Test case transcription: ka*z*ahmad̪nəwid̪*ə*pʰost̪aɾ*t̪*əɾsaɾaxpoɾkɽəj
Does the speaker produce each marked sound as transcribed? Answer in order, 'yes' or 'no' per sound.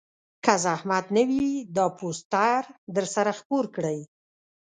yes, no, no

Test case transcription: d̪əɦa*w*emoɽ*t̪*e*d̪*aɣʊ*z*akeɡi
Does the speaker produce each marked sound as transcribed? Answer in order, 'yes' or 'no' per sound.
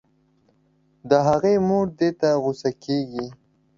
no, no, no, no

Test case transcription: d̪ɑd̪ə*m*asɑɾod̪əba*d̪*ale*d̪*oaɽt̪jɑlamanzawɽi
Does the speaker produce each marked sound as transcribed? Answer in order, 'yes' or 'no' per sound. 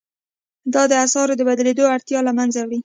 no, yes, yes

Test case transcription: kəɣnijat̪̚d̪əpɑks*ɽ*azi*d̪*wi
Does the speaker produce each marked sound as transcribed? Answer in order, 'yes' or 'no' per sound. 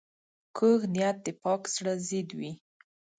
yes, yes

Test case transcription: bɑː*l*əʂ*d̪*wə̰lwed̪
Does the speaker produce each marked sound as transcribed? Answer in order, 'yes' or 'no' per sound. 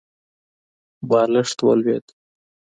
yes, no

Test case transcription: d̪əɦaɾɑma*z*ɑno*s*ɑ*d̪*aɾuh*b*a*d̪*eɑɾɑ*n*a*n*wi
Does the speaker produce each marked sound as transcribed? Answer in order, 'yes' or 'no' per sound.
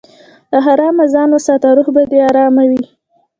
yes, yes, no, yes, yes, no, no

